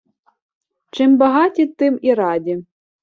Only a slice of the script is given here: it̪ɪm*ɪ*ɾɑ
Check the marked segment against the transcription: incorrect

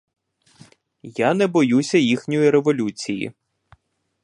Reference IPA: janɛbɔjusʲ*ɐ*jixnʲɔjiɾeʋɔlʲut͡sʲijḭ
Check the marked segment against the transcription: correct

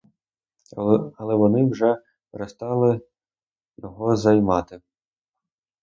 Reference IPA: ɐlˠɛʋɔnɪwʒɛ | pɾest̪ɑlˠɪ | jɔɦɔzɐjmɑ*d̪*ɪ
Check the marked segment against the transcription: incorrect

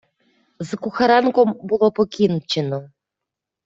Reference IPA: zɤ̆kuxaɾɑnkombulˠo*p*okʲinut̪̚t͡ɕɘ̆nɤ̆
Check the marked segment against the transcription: correct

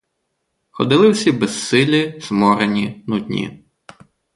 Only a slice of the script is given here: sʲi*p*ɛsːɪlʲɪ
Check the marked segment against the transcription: incorrect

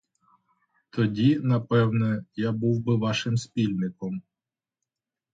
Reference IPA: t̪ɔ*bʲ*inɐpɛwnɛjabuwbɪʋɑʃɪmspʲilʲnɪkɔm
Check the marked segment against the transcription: incorrect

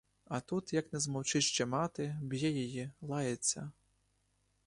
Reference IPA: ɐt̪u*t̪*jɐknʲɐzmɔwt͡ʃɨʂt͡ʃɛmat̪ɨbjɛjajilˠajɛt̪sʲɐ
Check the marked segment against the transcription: correct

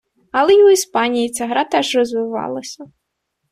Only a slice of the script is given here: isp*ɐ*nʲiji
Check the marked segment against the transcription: incorrect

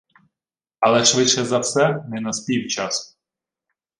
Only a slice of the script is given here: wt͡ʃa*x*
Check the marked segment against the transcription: incorrect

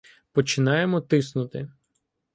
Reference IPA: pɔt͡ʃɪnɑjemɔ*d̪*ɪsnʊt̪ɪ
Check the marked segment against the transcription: incorrect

